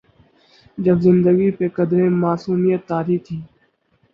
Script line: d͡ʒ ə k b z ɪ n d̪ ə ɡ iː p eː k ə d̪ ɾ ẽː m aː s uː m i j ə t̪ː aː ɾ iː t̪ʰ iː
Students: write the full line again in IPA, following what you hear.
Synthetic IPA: d͡ʒ ə b z ɪ n d̪ ə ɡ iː p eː k ə d̪ ɾ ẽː m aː s uː m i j ə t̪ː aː ɾ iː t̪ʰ iː